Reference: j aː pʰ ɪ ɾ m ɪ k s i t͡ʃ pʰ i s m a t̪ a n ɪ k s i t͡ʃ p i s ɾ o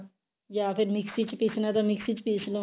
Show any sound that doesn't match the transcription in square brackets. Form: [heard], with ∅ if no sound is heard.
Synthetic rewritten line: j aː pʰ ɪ ɾ m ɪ k s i t͡ʃ [p] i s [n] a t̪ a [m] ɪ k s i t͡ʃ p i s [l] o